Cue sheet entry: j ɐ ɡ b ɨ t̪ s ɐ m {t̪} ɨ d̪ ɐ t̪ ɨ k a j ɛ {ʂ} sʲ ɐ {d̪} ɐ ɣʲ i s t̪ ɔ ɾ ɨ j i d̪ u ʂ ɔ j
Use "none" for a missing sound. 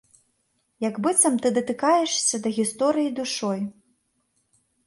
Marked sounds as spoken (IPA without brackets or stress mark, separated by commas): t̪, ʂ, d̪